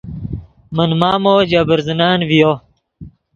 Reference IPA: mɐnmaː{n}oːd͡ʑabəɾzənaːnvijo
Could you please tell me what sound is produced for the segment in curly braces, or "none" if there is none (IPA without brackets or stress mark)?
m